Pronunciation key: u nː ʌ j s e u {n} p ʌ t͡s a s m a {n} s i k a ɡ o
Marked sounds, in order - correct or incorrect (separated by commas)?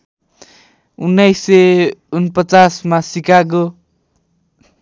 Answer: correct, incorrect